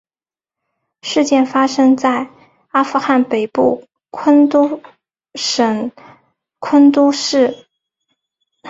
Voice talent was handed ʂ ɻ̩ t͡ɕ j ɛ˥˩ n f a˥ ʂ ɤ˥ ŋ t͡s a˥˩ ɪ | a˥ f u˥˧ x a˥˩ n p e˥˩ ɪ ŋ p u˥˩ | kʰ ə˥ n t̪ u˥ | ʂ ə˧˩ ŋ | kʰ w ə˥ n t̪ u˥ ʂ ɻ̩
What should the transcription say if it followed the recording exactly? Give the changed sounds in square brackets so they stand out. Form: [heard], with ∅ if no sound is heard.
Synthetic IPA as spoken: ʂ ɻ̩ t͡ɕ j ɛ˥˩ n f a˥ ʂ ɤ˥ ŋ t͡s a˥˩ ɪ | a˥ f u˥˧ x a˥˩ n p [e˨˩] ɪ [∅] p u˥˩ | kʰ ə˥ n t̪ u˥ | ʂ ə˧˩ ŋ | kʰ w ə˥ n t̪ u˥ ʂ ɻ̩